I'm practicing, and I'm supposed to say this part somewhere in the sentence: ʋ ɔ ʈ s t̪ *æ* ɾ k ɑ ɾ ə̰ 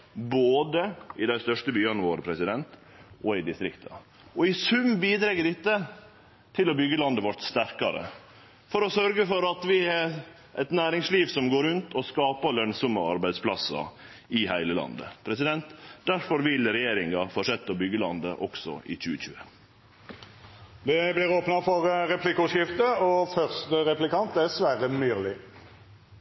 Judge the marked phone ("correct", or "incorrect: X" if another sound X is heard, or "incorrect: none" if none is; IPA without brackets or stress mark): correct